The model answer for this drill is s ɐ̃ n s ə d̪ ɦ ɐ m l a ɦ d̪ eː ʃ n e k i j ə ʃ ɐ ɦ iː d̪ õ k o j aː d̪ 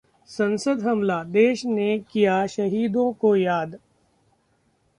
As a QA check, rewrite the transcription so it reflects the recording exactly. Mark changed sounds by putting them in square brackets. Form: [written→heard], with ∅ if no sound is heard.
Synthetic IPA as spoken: s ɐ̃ n s ə d̪ ɦ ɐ m l a [ɦ→∅] d̪ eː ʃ n e k i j [ə→a] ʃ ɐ ɦ iː d̪ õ k o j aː d̪